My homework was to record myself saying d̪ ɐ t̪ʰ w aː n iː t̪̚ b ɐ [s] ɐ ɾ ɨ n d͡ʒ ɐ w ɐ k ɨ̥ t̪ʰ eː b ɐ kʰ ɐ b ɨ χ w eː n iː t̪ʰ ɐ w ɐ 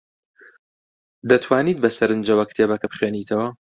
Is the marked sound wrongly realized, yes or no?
no